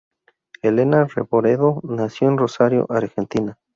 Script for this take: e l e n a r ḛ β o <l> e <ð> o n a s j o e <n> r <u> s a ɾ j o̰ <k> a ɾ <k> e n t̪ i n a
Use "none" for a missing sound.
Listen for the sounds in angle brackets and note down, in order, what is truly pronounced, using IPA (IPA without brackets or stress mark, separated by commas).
ɾ, ð, n, o, ʔ, x